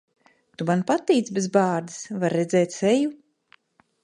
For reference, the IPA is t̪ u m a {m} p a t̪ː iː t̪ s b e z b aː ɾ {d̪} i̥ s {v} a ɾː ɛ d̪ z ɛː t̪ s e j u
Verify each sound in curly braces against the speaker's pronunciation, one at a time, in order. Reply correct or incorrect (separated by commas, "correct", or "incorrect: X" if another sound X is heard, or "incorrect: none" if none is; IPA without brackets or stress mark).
incorrect: n, correct, correct